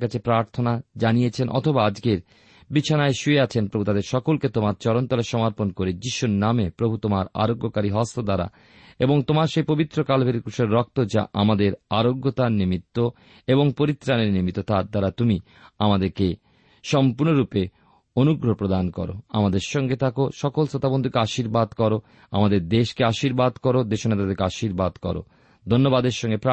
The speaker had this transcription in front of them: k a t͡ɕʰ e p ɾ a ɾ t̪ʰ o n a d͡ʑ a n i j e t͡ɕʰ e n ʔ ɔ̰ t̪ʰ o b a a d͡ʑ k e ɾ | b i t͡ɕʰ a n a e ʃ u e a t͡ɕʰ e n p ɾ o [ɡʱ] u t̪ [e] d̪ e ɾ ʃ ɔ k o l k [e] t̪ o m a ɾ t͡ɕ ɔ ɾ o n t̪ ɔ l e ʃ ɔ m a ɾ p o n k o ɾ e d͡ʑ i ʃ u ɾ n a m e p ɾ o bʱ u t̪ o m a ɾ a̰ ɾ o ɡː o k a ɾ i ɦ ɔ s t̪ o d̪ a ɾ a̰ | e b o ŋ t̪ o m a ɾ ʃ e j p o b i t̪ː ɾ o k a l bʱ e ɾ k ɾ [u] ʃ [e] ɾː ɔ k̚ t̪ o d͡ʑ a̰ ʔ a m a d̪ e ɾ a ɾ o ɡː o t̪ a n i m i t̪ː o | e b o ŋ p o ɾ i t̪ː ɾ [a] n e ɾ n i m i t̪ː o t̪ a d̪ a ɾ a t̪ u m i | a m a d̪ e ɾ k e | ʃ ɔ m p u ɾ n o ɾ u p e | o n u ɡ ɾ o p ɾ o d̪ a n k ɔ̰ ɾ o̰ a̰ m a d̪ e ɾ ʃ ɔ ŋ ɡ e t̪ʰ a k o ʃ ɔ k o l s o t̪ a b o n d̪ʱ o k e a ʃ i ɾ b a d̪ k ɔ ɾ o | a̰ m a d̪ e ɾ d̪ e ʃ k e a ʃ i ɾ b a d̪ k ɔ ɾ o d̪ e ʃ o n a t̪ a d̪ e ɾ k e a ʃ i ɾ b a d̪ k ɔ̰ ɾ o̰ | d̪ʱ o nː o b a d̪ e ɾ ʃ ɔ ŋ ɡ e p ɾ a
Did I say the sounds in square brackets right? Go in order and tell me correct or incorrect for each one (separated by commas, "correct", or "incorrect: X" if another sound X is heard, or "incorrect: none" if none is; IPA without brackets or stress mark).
incorrect: bʱ, incorrect: a, correct, correct, correct, correct